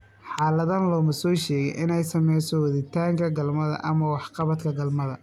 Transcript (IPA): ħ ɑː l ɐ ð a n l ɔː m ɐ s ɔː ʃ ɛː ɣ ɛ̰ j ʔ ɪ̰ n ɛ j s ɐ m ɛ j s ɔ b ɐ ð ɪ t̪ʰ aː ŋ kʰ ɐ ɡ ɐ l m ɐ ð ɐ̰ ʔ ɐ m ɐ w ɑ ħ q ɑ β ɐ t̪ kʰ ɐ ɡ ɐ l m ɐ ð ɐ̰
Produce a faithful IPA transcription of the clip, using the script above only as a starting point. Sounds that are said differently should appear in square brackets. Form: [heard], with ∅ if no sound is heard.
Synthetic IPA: ħ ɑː l ɐ ð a n l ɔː m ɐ s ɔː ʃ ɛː ɣ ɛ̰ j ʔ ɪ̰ n ɛ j s ɐ m ɛ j s ɔ [w] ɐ ð ɪ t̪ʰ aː ŋ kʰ ɐ ɡ ɐ l m ɐ ð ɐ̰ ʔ ɐ m ɐ w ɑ ħ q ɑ β ɐ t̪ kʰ ɐ ɡ ɐ l m ɐ ð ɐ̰